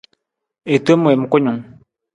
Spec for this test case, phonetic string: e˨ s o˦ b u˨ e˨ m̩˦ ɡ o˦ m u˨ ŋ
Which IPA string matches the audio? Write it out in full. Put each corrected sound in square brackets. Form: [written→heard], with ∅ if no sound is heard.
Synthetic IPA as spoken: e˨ [s→t] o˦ [b→m] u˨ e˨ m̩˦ [ɡ→k] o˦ [m→ɲ] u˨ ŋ